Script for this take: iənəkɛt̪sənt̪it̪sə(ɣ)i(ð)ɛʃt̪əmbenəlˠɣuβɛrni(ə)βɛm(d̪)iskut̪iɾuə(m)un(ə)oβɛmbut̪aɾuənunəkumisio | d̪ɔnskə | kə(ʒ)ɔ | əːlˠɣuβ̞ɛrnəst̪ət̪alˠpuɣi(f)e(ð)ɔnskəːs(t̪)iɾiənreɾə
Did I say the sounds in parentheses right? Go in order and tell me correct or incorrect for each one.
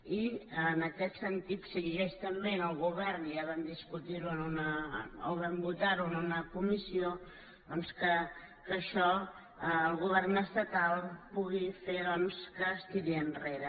correct, incorrect: ɣ, incorrect: a, correct, incorrect: n, correct, incorrect: ʃ, correct, correct, correct

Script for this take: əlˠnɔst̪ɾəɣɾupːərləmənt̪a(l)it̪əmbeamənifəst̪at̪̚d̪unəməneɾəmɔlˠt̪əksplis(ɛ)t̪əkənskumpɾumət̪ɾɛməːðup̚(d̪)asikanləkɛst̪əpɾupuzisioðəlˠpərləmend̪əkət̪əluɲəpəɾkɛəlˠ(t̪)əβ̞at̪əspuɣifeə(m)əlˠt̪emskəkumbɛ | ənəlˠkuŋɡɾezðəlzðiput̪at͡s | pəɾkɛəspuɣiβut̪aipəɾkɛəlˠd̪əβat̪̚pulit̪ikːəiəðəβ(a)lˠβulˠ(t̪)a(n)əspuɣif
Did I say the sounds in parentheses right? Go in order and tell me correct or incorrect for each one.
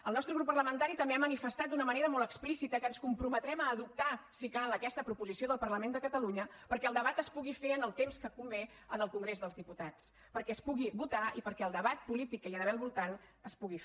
incorrect: ɾ, incorrect: i, incorrect: t̪, incorrect: d̪, incorrect: n, incorrect: ɛ, correct, correct

